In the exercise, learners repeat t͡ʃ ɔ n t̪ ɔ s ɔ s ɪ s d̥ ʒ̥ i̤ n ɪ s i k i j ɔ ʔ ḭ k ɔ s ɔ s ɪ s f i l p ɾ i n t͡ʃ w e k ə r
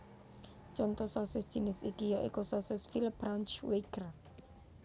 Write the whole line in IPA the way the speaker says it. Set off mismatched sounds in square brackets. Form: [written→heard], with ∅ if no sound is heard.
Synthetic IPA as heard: t͡ʃ ɔ n t̪ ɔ s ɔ s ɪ s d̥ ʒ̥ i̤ n ɪ s i k i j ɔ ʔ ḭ k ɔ s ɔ s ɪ s f i l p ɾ [i→a] n t͡ʃ w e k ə r

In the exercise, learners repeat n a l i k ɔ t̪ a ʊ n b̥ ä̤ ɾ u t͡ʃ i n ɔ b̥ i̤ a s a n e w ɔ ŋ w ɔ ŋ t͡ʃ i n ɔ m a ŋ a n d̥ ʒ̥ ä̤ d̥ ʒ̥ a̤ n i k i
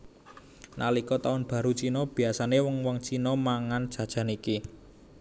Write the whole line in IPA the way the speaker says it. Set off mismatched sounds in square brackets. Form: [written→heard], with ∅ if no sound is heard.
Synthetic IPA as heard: n a l i k ɔ t̪ a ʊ n b̥ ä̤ ɾ u t͡ʃ i n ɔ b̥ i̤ a s a n e w ɔ ŋ w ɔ ŋ t͡ʃ i n ɔ m a ŋ a n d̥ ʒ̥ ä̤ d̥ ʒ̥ a̤ n i k i

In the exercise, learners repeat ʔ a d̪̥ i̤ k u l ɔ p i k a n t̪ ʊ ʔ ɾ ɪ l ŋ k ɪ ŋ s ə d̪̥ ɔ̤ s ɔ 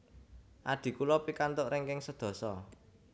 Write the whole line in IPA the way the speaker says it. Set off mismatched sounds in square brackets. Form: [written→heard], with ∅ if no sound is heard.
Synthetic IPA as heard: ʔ a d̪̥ i̤ k u l ɔ p i k a n t̪ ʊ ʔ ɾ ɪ [l→∅] ŋ k ɪ ŋ s ə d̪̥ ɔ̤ s ɔ

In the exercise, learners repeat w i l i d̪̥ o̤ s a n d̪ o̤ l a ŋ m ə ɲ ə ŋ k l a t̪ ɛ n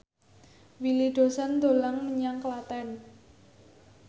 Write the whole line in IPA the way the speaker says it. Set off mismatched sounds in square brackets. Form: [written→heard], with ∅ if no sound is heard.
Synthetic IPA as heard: w i l i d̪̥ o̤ s a n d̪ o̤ l a ŋ m ə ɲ [ə→a] ŋ k l a t̪ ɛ n

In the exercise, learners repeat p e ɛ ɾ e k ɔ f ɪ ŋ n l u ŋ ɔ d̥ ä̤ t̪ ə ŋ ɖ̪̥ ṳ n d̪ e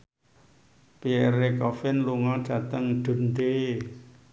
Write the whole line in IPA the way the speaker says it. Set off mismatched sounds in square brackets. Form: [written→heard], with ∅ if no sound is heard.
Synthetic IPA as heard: p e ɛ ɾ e k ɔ f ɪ [ŋ→∅] n l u ŋ ɔ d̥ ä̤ t̪ ə ŋ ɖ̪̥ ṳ n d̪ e

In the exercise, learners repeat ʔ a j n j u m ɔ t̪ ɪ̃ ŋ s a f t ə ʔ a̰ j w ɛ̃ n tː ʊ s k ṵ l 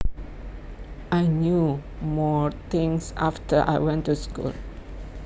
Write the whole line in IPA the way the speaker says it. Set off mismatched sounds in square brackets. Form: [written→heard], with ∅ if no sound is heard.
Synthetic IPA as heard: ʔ a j n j u m ɔ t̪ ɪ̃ ŋ s a f t ə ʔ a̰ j w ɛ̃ n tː [ʊ→u] s k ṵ l

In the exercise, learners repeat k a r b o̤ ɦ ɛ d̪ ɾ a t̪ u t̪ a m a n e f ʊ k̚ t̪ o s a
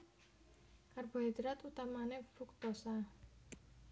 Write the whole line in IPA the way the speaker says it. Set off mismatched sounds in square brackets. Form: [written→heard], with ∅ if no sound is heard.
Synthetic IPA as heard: k a r b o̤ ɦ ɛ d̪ ɾ a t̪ u t̪ a m a n e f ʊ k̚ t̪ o s a

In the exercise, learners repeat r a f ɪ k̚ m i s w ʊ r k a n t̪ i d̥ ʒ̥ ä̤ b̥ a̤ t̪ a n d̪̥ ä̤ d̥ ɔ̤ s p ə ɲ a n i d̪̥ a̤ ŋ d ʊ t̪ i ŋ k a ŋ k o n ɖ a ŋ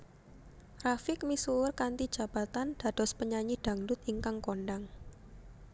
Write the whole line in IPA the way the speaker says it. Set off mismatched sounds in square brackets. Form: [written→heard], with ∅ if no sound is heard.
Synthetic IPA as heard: r a f ɪ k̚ m i s [w→u] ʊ r k a n t̪ i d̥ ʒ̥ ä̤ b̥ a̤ t̪ a n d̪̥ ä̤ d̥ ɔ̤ s p ə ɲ a [n→ɲ] i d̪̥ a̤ ŋ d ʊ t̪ i ŋ k a ŋ k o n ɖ a ŋ

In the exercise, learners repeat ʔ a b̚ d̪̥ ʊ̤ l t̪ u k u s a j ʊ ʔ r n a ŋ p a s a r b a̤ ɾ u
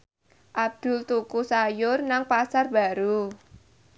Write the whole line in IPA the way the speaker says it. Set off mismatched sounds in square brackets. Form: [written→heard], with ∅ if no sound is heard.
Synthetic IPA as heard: ʔ a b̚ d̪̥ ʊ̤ l t̪ u k u s a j ʊ [ʔ→∅] r n a ŋ p a s a r b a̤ ɾ u

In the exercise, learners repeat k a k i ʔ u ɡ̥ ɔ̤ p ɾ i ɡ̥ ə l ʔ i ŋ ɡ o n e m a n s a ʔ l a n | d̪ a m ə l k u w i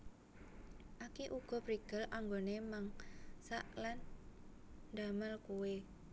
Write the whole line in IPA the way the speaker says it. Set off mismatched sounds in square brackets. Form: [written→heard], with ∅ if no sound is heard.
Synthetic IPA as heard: [k→ʔ] a k i ʔ u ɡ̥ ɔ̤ p ɾ i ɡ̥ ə l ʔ [i→a] ŋ ɡ o n e m a [n→ŋ] s a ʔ l a n | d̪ a m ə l k u w [i→e]

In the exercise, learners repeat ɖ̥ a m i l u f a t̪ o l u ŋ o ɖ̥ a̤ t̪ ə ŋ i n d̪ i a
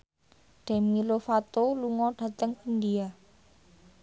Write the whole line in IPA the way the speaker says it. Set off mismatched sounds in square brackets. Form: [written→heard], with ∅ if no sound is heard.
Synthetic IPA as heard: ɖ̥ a m i l [u→o] f a t̪ o l u ŋ [o→ɔ] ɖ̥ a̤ t̪ ə ŋ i n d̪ i a

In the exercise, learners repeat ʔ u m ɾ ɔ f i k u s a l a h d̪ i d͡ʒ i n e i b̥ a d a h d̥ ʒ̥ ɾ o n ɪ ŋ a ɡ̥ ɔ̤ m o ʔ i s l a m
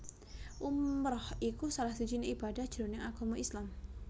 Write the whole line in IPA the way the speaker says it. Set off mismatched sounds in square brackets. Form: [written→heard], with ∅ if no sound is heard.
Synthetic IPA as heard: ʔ u m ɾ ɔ [f→h] i k u s a l a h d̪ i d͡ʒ i n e i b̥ a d a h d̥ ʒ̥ ɾ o n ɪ ŋ a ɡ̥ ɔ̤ m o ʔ i s l a m

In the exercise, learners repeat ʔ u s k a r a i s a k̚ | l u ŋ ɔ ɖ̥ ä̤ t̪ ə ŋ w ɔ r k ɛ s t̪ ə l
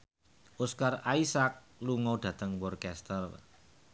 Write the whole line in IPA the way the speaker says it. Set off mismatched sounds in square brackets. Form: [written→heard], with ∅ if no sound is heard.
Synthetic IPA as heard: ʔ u s k a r a i s a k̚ | l u ŋ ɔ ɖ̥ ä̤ t̪ ə ŋ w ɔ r k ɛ s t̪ ə [l→r]

